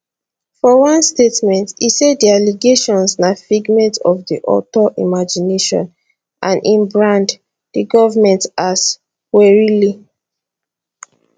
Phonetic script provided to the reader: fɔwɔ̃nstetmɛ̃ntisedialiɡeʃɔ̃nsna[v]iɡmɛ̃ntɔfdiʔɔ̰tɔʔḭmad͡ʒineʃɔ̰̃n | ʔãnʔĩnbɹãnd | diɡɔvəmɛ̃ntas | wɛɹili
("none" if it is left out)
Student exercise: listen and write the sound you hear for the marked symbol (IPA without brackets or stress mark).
f